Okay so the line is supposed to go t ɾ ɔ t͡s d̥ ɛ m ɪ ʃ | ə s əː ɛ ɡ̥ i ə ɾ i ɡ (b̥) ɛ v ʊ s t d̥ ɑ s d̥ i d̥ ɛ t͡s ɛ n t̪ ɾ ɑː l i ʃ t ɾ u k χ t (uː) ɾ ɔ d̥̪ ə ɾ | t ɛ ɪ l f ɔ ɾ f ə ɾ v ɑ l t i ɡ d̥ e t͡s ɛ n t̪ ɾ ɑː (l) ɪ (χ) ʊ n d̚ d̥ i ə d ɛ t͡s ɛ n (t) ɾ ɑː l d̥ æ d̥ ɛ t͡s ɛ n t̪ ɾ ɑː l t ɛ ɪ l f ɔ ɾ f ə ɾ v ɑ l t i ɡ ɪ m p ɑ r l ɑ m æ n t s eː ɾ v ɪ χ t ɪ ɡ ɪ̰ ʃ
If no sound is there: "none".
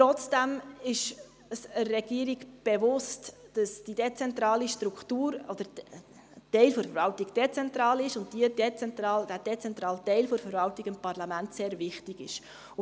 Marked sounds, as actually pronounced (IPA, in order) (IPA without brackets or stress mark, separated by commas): b̥, uː, l, ʃ, t